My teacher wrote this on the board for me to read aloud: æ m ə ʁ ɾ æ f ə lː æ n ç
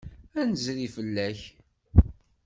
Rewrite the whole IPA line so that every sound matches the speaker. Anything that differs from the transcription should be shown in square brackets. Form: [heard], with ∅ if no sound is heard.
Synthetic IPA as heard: æ [n] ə [z] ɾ [i] f ə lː æ [∅] ç